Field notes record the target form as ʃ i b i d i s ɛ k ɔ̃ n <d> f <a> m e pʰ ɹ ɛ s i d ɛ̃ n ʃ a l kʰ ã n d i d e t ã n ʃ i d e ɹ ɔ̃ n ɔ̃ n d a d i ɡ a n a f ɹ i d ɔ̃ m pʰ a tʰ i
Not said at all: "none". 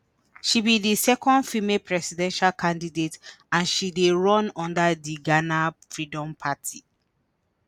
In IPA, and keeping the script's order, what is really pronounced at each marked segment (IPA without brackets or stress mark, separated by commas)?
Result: d, i